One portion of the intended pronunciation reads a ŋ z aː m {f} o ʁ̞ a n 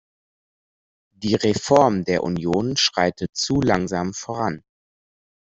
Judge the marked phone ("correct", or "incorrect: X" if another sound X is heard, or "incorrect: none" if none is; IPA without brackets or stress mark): correct